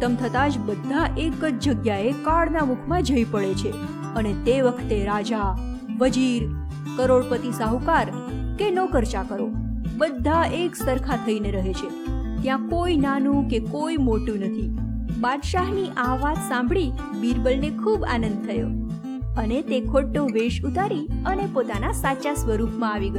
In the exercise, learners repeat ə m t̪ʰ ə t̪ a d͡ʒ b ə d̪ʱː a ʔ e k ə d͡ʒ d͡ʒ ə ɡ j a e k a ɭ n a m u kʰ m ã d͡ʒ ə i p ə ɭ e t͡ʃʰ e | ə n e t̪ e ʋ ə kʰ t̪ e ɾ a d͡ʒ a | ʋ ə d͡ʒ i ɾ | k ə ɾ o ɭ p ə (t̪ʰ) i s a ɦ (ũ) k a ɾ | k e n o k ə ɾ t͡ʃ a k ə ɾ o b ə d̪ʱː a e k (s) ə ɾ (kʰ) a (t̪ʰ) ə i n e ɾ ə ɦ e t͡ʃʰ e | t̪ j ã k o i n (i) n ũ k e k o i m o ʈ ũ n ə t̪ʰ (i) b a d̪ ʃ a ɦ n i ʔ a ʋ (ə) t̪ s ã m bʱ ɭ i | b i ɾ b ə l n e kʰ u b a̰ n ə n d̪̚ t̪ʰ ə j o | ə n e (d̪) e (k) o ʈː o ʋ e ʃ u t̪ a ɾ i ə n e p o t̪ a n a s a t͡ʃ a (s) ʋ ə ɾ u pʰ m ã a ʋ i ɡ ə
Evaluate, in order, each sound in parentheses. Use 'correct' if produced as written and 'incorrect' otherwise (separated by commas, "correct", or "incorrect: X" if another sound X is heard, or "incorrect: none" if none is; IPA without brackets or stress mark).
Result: incorrect: t̪, incorrect: u, correct, correct, correct, incorrect: a, correct, incorrect: a, incorrect: t̪, incorrect: kʰ, correct